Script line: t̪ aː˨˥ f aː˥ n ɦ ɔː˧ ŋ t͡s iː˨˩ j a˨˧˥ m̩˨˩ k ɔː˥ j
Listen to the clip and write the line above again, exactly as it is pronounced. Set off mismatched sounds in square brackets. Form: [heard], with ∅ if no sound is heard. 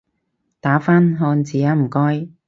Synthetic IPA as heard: t̪ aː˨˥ f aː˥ n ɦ ɔː˧ [n] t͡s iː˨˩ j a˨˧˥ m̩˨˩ k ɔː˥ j